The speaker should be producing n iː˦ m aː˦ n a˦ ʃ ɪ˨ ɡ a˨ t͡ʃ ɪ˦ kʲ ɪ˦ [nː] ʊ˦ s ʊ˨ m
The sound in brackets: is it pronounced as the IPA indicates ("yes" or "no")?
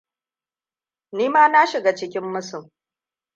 no